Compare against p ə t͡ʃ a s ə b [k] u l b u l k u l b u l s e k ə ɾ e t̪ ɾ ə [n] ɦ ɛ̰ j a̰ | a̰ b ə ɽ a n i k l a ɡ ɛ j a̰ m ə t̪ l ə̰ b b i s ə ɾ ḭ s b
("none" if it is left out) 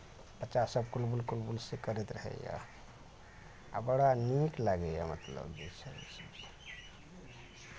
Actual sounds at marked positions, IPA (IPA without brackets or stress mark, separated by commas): k, none